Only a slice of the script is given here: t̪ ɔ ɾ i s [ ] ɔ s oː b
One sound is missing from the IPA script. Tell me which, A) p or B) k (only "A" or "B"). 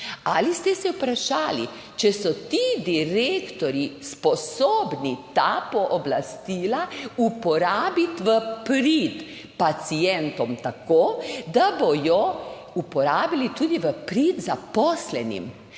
A